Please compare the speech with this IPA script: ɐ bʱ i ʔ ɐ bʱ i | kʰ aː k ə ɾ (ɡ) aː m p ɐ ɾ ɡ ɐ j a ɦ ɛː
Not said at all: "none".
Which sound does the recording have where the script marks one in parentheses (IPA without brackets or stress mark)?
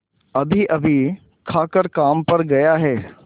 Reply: k